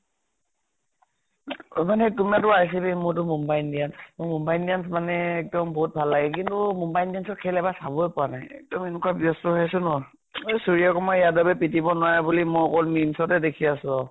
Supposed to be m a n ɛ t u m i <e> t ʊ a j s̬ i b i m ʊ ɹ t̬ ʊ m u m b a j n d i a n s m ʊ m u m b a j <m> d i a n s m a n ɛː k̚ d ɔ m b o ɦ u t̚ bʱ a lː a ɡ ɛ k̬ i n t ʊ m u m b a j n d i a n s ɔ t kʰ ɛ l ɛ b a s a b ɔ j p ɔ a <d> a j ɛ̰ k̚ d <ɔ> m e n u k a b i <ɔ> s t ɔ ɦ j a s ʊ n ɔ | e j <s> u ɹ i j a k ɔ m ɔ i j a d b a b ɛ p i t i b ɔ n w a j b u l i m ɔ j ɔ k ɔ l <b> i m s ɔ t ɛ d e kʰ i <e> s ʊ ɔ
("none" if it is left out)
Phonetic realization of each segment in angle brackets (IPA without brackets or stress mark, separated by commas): a, n, n, ɔ, ɔ, s, m, a